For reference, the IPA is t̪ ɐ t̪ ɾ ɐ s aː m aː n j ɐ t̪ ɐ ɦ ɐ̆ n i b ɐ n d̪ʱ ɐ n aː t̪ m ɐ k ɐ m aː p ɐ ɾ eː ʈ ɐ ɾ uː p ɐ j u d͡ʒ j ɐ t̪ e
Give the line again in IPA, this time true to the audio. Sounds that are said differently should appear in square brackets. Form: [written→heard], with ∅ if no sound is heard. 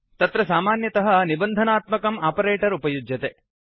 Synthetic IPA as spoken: t̪ ɐ t̪ ɾ ɐ s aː m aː n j ɐ t̪ ɐ ɦ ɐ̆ n i b ɐ n d̪ʱ ɐ n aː t̪ m ɐ k ɐ m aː p ɐ ɾ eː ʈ ɐ ɾ [uː→u] p ɐ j u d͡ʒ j ɐ t̪ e